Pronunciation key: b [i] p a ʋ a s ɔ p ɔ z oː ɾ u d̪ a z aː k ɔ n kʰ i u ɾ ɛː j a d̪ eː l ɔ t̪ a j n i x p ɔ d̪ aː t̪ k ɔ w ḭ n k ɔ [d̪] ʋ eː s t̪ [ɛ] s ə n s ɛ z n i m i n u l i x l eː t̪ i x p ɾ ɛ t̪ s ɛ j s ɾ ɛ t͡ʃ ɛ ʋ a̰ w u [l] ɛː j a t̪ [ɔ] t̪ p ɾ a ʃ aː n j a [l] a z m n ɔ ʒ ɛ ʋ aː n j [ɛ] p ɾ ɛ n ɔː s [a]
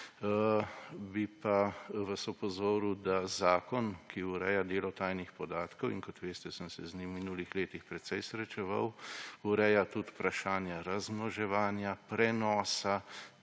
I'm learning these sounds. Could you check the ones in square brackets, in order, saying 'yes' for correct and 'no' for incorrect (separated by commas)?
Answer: yes, no, yes, no, no, no, no, yes